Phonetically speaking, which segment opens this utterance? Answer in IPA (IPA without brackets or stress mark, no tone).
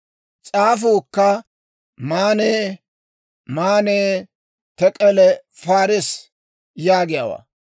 t͡sʼ